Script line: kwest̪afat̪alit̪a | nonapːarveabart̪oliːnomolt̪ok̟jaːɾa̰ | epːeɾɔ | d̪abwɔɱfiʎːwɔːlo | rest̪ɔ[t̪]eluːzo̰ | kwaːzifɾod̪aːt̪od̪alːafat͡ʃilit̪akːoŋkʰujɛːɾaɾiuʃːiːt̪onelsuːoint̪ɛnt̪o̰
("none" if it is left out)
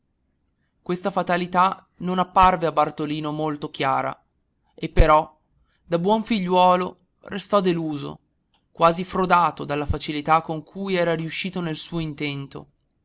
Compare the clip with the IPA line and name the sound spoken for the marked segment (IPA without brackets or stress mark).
d̪